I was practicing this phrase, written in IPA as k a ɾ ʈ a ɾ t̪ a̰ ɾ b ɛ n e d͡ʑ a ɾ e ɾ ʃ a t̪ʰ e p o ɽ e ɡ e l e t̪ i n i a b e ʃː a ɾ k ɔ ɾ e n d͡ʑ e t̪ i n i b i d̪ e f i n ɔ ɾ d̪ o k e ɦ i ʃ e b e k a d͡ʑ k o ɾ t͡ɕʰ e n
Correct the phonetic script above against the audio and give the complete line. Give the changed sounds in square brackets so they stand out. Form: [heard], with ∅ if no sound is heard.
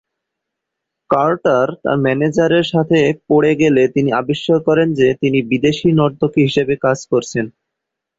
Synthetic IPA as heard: k a ɾ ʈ a ɾ t̪ a̰ ɾ [m] ɛ n e d͡ʑ a ɾ e ɾ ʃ a t̪ʰ e p o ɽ e ɡ e l e t̪ i n i a b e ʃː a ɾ k ɔ ɾ e n d͡ʑ e t̪ i n i b i d̪ e [ʃ] i n ɔ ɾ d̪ o k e ɦ i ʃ e b e k a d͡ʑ k o ɾ t͡ɕʰ e n